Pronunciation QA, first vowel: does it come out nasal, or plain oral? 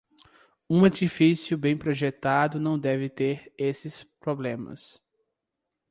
nasal